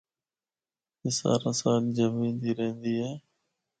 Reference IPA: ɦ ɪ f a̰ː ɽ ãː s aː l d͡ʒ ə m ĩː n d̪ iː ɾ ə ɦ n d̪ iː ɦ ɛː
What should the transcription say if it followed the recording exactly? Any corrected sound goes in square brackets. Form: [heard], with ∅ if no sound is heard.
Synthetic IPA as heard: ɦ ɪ [s] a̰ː [ɾ] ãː s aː l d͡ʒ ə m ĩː n d̪ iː ɾ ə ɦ n d̪ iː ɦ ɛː